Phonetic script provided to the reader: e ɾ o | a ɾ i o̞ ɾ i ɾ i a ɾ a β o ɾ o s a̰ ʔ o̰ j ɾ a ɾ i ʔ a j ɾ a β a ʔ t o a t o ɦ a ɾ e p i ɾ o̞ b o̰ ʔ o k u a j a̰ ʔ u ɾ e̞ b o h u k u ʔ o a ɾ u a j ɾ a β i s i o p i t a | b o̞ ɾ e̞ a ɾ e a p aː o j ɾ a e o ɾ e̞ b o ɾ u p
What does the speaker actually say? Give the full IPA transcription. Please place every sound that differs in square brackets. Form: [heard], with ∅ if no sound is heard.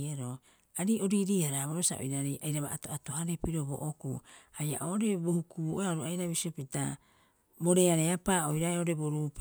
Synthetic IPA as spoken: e ɾ o | a ɾ i o̞ ɾ i ɾ i a ɾ a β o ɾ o s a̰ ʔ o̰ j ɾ a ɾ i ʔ a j ɾ a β a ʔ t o a t o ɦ a ɾ e p i ɾ o̞ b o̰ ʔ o k u a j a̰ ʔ [o] ɾ e̞ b o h u k u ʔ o a ɾ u a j ɾ a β i s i o p i t a | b o̞ ɾ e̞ a ɾ e a p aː o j ɾ a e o ɾ e̞ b o ɾ u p